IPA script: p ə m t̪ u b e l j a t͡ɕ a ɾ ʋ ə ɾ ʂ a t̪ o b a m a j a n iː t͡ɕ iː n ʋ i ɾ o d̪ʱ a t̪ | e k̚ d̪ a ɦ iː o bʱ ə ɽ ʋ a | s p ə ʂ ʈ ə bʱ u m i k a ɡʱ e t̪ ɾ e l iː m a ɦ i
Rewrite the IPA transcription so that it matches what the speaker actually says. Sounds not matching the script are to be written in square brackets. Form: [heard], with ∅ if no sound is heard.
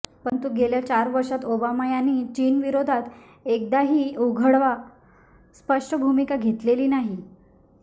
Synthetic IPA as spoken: p ə [ɳ] t̪ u [ɡ] e l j a t͡ɕ a ɾ ʋ ə ɾ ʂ a t̪ o b a m a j a n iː t͡ɕ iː n ʋ i ɾ o d̪ʱ a t̪ | e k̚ d̪ a ɦ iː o [ɡʱ] ə ɽ ʋ a | s p ə ʂ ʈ ə bʱ u m i k a ɡʱ e t̪ [l] e l iː [n] a ɦ i